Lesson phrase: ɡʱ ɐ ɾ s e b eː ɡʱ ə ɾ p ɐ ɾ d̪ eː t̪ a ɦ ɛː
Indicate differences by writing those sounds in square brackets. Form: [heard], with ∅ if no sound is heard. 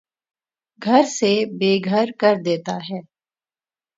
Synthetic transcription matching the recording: ɡʱ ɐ ɾ s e b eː ɡʱ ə ɾ [k] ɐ ɾ d̪ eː t̪ a ɦ ɛː